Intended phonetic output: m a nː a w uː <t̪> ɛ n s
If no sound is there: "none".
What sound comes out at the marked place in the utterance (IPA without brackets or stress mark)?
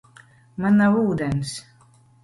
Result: d̪